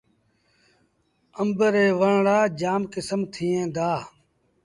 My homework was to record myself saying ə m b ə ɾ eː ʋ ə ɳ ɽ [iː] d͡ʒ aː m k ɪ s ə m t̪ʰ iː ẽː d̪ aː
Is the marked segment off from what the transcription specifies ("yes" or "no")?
yes